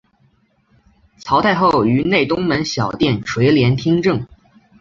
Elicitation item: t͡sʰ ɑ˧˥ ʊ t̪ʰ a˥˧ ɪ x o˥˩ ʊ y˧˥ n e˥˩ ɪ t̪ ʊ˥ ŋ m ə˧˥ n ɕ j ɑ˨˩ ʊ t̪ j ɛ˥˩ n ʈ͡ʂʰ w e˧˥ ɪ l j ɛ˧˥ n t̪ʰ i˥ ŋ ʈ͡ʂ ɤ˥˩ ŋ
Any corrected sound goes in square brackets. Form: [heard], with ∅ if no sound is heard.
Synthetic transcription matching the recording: t͡sʰ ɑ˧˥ ʊ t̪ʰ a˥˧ ɪ x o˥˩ ʊ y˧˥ n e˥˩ ɪ t̪ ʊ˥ ŋ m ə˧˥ n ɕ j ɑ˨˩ ʊ t̪ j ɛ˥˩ n ʈ͡ʂʰ w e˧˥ ɪ l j ɛ˧˥ n t̪ʰ i˥ ŋ ʈ͡ʂ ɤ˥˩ ŋ

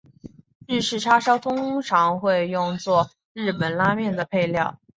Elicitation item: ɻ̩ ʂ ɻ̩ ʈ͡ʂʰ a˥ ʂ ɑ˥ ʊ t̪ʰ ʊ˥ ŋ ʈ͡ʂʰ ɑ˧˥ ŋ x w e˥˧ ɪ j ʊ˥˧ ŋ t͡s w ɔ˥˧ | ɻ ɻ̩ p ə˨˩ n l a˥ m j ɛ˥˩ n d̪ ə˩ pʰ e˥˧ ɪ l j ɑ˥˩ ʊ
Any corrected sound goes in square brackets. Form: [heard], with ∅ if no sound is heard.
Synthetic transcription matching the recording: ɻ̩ ʂ ɻ̩ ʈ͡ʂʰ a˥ ʂ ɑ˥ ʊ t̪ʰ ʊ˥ ŋ ʈ͡ʂʰ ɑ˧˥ ŋ x w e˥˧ ɪ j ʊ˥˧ ŋ t͡s w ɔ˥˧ | ɻ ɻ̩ p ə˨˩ n l a˥ m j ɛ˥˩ n d̪ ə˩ pʰ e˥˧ ɪ l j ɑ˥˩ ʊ

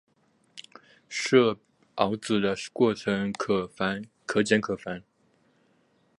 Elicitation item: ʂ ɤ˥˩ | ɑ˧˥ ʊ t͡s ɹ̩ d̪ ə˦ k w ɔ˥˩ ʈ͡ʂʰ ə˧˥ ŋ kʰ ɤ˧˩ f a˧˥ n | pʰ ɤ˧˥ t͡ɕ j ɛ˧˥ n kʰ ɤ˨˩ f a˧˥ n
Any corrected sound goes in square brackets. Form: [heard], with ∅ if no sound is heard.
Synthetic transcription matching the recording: ʂ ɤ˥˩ | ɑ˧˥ ʊ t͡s ɹ̩ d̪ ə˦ k w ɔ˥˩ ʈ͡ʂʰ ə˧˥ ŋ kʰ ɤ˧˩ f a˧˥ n | [kʰ] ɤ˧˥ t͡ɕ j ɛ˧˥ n kʰ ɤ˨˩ f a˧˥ n

